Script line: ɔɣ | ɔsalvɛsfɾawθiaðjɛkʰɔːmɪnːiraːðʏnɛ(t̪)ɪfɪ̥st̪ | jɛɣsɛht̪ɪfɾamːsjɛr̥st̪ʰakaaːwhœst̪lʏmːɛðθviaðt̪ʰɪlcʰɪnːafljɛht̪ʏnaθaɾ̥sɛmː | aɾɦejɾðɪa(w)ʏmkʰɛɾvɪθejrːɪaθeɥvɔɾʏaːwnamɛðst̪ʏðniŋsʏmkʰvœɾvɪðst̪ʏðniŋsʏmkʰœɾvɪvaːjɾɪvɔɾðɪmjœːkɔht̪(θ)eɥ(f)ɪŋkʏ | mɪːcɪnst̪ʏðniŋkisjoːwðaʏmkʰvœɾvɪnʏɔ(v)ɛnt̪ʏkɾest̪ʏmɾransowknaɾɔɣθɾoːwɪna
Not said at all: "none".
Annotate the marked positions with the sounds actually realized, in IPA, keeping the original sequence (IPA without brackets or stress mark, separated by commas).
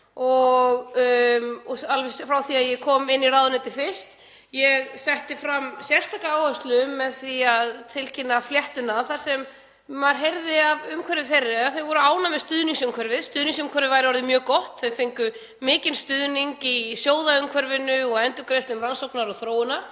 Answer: t̪, v, θ, f, ɣ